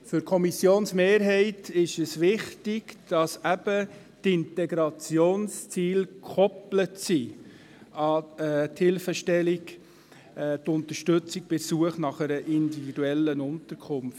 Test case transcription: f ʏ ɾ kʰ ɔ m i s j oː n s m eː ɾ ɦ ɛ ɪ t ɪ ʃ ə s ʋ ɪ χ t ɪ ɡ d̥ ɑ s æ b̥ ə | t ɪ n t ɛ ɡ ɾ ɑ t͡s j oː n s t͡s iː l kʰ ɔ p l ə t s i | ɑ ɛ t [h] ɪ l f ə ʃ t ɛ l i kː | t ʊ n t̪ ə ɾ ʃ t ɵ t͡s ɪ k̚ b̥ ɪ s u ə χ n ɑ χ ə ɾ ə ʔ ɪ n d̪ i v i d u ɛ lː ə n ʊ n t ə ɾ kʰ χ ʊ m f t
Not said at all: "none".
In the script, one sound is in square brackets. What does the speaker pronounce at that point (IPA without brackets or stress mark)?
h